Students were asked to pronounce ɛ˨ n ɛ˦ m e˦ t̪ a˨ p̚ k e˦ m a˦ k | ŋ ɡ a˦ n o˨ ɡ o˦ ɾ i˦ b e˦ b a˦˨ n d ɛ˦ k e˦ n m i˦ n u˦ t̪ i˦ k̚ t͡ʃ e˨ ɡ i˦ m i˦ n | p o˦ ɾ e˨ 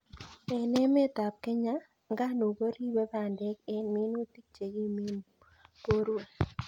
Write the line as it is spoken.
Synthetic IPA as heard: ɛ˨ n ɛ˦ m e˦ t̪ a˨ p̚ k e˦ ɲ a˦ | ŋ ɡ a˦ n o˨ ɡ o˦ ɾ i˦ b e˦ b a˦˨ n d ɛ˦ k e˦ n m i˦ n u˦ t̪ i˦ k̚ t͡ʃ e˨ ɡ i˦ m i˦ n | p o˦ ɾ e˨

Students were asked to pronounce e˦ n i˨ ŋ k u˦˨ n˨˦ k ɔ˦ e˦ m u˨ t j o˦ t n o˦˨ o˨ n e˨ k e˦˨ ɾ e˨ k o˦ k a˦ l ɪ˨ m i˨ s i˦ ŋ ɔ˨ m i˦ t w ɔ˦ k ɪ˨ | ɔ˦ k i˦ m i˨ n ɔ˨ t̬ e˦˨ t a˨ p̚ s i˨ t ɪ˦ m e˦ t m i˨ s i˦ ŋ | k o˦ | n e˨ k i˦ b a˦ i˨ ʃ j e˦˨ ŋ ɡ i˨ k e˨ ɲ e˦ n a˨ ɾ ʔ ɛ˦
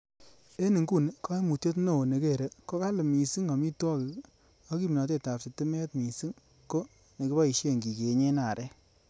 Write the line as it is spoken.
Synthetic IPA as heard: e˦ n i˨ ŋ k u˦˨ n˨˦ k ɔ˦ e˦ m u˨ t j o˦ t n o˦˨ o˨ n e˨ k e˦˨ ɾ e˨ k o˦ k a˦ l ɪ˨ m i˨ s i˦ ŋ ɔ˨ m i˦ t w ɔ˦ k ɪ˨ | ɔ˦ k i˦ m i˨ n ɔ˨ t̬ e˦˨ t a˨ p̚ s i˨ t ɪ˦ m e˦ t m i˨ s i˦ ŋ | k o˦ | n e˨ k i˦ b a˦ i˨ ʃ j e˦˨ ŋ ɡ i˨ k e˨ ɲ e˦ n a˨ ɾ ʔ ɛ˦

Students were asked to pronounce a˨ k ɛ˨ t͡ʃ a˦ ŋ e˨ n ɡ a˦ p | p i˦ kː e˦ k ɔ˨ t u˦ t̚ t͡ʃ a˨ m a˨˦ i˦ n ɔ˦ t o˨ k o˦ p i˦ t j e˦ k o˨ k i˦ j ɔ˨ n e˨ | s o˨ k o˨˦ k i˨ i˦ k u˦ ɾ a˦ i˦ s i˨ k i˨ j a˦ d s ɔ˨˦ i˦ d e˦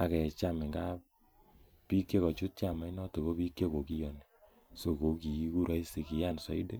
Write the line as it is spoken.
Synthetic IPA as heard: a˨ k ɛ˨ t͡ʃ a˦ m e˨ ŋ ɡ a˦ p | p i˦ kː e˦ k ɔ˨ t͡ʃ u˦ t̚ t͡ʃ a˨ m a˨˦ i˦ n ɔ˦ t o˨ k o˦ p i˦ k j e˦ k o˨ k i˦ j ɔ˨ n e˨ | s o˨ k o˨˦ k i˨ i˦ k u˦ ɾ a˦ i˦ s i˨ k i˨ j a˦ n s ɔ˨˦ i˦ d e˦

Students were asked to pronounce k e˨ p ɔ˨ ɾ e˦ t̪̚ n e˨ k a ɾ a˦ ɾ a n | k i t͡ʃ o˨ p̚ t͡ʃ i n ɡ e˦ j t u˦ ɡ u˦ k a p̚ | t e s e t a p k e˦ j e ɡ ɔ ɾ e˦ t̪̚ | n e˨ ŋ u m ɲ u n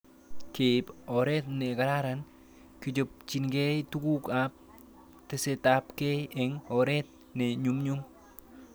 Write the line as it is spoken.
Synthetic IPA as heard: k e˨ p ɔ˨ ɾ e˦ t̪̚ n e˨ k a ɾ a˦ ɾ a n | k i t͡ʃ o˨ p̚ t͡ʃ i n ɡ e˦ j t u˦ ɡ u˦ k a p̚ | t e s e t a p k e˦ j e ŋ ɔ ɾ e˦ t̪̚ | n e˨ ɲ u m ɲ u m

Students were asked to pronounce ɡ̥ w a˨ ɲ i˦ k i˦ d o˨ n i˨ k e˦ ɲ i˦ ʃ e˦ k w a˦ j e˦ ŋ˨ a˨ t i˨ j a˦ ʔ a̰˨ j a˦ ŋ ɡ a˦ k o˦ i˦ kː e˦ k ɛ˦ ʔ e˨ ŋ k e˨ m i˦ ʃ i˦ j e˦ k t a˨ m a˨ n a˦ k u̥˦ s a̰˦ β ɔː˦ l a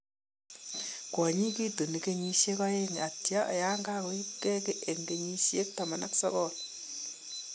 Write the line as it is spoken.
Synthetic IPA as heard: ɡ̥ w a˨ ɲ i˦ k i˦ d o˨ n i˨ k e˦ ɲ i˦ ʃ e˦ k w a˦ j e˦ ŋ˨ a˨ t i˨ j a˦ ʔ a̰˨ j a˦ ŋ ɡ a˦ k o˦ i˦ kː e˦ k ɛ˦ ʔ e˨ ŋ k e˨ ɲ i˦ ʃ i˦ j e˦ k t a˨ m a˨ n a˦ k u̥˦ s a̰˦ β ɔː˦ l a

